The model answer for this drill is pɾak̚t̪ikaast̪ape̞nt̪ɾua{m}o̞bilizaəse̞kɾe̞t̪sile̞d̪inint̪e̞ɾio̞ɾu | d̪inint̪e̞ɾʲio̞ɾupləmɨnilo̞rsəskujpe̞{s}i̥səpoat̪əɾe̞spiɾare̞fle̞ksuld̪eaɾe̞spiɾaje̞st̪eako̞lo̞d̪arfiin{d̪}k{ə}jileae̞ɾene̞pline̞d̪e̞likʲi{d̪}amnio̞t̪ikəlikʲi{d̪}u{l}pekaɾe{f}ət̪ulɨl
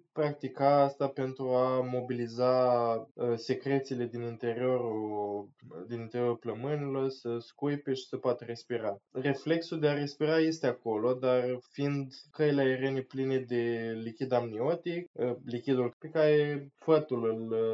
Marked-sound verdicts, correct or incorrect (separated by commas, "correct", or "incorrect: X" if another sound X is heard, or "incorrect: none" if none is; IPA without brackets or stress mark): correct, incorrect: ʃ, correct, correct, correct, correct, correct, correct